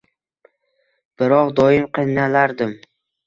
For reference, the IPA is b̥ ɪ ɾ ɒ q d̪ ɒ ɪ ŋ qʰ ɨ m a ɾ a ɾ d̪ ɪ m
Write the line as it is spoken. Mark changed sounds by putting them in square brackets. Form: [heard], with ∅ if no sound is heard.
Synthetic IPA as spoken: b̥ ɪ ɾ ɒ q d̪ ɒ ɪ [m] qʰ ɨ [n] a [l] a ɾ d̪ ɪ m